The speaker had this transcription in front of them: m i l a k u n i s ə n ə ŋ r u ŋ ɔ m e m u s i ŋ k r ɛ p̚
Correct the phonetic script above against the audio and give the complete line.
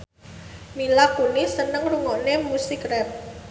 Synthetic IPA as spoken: m i l a k u n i s ə n ə ŋ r u ŋ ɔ n e m u s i k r ɛ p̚